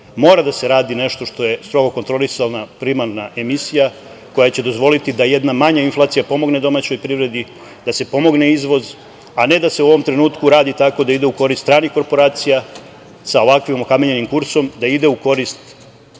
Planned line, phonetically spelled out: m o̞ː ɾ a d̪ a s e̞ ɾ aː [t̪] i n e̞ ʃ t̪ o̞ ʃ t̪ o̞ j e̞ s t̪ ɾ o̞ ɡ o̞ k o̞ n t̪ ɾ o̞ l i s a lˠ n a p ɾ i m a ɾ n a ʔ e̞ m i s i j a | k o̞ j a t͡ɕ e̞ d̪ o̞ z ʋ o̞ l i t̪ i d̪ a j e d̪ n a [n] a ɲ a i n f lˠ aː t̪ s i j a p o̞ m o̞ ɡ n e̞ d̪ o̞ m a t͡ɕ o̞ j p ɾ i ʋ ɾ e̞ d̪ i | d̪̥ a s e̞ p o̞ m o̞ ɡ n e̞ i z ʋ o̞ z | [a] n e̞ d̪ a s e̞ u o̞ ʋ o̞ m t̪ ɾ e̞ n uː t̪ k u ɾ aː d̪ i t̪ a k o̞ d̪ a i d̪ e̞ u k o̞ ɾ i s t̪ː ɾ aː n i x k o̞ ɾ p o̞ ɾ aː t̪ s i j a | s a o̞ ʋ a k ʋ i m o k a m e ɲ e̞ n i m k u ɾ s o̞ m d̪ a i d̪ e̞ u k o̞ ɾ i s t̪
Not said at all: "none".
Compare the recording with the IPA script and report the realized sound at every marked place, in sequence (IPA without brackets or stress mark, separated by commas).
d̪, m, a